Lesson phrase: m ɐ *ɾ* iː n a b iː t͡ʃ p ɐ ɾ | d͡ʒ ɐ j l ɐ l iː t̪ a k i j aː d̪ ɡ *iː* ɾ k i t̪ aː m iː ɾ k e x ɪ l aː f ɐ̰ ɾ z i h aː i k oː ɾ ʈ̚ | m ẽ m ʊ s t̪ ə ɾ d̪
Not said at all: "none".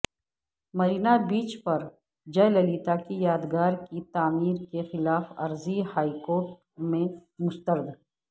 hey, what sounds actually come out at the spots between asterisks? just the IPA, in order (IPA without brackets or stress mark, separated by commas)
ɾ, aː